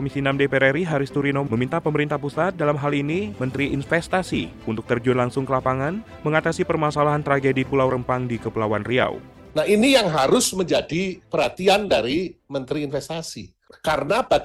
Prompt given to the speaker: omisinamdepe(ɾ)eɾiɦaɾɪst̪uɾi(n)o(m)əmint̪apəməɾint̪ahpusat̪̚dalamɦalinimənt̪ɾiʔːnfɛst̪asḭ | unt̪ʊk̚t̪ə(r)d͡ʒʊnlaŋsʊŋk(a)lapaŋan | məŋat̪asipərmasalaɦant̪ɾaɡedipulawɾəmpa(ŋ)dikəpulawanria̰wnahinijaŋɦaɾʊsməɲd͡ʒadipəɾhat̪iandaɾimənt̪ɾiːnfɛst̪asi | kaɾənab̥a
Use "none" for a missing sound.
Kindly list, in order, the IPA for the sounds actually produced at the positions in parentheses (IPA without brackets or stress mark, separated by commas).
ɾ, n, m, r, ə, ŋ